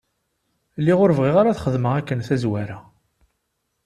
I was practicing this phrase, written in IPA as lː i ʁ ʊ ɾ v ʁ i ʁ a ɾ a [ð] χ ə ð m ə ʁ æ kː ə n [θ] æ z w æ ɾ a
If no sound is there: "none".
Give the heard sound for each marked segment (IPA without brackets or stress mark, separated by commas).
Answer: θ, θ